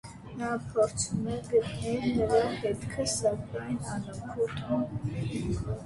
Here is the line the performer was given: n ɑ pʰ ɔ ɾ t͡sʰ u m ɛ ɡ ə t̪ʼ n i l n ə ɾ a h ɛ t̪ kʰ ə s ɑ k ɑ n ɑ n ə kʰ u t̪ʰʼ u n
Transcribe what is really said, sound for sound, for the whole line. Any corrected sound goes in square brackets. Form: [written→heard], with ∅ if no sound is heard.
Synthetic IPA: n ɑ pʰ ɔ ɾ t͡sʰ u m ɛ ɡ ə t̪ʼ n [i→ɛ] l n ə ɾ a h ɛ t̪ kʰ ə s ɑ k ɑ n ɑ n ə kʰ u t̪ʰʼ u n

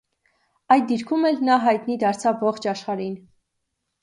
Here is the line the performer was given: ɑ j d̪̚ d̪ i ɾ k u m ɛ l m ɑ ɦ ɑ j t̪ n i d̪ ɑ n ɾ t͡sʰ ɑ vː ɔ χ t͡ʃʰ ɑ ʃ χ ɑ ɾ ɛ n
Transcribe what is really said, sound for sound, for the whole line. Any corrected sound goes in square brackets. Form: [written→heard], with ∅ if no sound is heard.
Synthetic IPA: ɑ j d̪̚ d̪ i ɾ [k→kʰ] u m ɛ l [m→n] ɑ ɦ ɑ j t̪ n i d̪ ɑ [n→∅] ɾ t͡sʰ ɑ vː ɔ χ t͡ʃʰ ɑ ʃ χ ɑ ɾ [ɛ→i] n

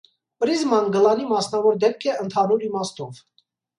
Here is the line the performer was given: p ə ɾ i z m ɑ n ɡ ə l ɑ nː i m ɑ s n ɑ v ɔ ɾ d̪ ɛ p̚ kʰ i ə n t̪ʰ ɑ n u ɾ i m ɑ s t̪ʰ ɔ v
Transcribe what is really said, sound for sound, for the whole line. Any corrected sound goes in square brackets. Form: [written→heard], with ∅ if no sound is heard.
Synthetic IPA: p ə ɾ i z m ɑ n ɡ ə l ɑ [nː→n] i m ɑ s n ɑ v ɔ ɾ d̪ ɛ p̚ kʰ [i→ɛ] ə n t̪ʰ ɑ n u ɾ i m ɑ s [t̪ʰ→t̪] ɔ v

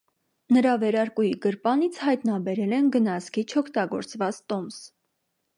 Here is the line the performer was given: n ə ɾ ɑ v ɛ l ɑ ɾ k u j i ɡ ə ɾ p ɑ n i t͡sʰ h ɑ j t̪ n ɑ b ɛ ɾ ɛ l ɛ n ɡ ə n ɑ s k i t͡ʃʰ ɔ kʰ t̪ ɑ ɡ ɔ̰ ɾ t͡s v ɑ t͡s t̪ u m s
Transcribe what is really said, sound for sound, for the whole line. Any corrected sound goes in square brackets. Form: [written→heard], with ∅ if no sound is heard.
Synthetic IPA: n ə ɾ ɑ v ɛ [l→ɾ] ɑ ɾ k u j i ɡ ə ɾ p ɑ n i t͡sʰ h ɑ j t̪ n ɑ b ɛ ɾ ɛ l ɛ n ɡ ə n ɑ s k i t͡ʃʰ ɔ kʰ t̪ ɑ ɡ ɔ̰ ɾ t͡s v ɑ t͡s t̪ [u→ɔ] m s

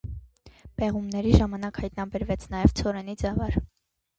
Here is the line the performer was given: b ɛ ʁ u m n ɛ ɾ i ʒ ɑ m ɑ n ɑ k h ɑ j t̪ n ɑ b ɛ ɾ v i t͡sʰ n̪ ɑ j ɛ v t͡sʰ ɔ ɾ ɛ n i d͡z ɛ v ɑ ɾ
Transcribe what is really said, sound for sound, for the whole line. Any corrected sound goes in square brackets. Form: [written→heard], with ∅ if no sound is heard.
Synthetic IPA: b ɛ ʁ u m n ɛ ɾ i ʒ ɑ m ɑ n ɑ k h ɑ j t̪ n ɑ b ɛ ɾ v [i→ɛ] t͡sʰ n̪ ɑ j ɛ v t͡sʰ ɔ ɾ ɛ n i d͡z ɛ v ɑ ɾ

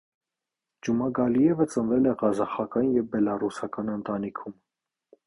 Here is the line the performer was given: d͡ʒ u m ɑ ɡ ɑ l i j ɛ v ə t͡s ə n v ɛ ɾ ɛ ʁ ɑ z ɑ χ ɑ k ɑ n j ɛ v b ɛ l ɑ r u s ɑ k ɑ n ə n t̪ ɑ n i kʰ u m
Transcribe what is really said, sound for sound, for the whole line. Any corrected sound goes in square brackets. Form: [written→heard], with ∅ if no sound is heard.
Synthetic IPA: d͡ʒ u m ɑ ɡ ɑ l i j ɛ v ə t͡s ə n v ɛ [ɾ→l] ɛ ʁ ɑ z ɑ χ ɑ k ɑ n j ɛ v b ɛ l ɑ r u s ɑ k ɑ n ə n t̪ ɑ n i kʰ u m

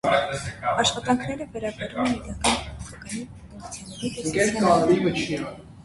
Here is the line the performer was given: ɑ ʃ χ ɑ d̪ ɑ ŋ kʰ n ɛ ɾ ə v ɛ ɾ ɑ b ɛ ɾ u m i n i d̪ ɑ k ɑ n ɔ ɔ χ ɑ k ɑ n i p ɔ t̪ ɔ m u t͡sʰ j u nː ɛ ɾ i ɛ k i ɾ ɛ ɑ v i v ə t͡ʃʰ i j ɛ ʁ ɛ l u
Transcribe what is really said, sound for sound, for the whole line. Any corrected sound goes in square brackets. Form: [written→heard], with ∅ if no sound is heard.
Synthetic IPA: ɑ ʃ χ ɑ [d̪→t̪] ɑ ŋ kʰ n ɛ ɾ ə v ɛ ɾ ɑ b ɛ ɾ u m [i→ɛ] n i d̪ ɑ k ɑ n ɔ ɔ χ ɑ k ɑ n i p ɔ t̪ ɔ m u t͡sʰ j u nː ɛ ɾ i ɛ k [i→ɛ] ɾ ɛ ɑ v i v ə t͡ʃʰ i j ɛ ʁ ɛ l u

